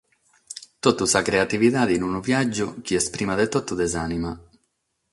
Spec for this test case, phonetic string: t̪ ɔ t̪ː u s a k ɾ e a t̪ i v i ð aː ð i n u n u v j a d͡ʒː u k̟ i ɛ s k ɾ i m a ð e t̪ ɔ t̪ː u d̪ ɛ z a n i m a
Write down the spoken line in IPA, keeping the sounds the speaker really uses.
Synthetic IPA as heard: t̪ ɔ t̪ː u s a k ɾ e a t̪ i v i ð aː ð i n u n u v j a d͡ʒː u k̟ i ɛ s p ɾ i m a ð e t̪ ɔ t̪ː u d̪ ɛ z a n i m a